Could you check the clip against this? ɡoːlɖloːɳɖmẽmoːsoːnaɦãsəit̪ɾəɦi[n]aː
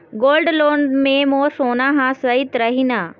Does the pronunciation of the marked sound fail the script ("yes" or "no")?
no